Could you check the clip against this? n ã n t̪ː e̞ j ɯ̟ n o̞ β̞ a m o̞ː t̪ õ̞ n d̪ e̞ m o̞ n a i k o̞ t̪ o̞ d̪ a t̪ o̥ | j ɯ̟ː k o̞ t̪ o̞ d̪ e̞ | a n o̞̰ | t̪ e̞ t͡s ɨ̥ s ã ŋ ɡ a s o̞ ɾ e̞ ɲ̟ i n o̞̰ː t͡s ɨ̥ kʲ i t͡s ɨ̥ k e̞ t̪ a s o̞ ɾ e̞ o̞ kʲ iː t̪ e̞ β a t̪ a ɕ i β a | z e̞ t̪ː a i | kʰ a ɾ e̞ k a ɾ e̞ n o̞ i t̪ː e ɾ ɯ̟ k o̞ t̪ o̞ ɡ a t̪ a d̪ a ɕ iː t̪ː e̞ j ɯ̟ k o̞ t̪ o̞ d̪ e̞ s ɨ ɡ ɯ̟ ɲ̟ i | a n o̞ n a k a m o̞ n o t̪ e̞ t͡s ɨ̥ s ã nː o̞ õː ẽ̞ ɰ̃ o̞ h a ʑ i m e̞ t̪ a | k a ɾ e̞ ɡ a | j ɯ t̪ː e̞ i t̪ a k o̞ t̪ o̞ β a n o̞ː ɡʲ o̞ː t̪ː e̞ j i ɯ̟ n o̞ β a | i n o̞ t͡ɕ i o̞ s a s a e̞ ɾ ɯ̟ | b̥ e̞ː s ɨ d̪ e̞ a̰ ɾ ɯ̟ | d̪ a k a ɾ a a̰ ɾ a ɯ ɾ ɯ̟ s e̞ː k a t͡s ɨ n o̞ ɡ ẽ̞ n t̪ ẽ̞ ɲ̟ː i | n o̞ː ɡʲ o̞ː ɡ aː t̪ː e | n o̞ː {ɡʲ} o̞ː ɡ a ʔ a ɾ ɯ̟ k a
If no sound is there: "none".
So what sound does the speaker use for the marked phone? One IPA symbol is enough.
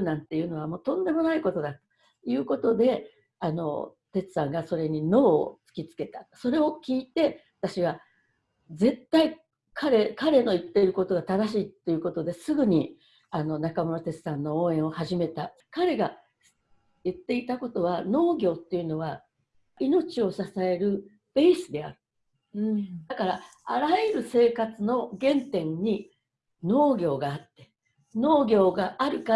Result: ɡʲ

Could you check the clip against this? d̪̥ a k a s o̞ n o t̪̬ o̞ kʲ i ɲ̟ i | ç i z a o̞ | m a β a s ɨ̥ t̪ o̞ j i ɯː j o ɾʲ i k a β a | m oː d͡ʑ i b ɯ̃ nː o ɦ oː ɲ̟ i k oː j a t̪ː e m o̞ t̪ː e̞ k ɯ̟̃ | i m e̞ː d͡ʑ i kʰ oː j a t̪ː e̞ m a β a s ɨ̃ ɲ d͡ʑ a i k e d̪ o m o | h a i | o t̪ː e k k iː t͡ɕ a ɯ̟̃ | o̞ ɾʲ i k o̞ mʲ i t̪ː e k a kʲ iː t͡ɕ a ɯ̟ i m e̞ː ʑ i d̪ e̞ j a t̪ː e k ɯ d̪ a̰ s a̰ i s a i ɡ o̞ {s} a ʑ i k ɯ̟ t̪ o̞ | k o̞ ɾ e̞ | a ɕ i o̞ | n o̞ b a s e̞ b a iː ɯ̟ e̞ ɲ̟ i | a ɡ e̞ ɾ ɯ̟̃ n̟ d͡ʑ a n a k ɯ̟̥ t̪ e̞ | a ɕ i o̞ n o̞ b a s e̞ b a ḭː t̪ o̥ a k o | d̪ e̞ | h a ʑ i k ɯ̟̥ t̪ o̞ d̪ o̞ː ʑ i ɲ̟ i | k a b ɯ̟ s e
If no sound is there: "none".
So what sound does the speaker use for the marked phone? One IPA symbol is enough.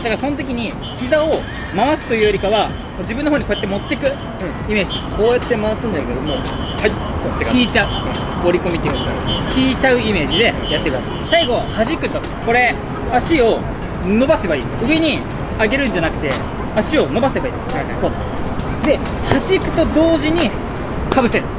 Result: h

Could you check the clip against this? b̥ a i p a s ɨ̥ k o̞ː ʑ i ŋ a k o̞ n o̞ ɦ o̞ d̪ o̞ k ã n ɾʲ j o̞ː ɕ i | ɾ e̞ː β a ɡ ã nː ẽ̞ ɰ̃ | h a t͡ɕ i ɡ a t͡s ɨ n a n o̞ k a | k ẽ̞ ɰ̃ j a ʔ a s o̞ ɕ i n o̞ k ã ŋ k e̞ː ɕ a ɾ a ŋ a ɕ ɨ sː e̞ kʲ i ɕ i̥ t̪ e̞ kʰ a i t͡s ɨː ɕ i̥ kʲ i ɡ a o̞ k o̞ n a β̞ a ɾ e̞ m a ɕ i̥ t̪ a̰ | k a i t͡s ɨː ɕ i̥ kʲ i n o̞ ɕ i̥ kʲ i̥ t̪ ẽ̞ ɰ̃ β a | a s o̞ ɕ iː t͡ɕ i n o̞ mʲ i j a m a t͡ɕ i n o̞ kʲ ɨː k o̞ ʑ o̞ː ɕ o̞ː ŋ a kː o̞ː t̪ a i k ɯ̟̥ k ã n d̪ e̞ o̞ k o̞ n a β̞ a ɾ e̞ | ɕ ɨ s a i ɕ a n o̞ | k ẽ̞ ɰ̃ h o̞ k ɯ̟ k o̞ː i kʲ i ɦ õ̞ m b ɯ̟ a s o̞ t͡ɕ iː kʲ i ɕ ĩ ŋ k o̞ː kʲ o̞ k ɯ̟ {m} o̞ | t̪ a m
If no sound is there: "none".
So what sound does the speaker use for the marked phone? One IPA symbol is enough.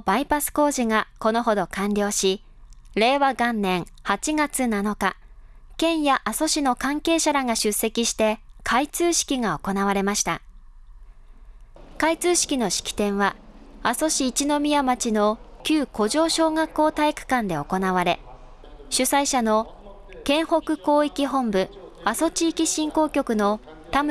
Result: n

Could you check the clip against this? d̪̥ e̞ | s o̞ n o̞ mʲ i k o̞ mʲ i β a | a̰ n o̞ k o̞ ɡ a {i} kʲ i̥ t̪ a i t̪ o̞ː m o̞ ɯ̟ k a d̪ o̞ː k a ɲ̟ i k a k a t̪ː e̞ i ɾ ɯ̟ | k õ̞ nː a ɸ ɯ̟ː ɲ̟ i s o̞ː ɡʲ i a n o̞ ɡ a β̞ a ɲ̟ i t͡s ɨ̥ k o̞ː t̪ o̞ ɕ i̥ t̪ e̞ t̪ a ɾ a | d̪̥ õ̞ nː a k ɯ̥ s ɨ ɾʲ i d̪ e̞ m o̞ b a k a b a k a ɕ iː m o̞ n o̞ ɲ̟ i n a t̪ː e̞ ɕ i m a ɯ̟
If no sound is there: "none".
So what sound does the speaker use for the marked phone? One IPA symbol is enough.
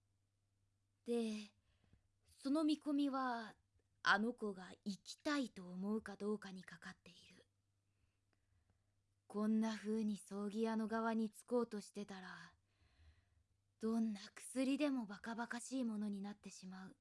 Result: i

